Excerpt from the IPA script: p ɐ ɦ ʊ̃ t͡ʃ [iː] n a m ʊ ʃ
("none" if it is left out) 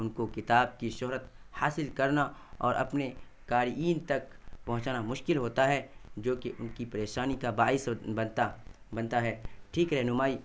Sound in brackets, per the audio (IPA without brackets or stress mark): aː